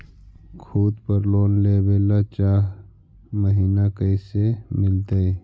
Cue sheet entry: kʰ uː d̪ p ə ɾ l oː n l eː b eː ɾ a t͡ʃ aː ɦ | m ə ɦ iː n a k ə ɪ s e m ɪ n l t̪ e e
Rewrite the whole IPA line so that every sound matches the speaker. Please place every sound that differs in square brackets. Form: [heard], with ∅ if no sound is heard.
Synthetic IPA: kʰ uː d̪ p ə ɾ l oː n l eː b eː [l] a t͡ʃ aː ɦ | m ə ɦ iː n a k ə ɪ s e m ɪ [∅] l t̪ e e